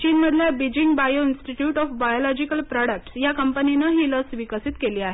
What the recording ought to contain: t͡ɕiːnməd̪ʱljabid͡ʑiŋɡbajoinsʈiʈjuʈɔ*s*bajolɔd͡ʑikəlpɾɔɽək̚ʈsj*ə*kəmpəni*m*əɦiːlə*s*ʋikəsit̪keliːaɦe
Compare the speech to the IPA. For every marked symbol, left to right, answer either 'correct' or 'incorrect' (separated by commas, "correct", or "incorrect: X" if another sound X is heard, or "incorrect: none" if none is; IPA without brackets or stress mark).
incorrect: f, incorrect: a, incorrect: n, correct